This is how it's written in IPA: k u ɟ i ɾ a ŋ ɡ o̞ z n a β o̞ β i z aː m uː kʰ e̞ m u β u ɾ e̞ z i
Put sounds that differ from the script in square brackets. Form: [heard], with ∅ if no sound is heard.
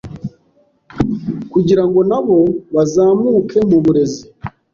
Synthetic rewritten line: k u ɟ i ɾ a ŋ ɡ o̞ [∅] n a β o̞ β [a] z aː m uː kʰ e̞ m u β u ɾ e̞ z i